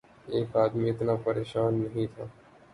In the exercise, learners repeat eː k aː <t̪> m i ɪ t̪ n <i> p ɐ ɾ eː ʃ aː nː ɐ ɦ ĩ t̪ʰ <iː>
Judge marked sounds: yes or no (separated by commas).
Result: no, no, no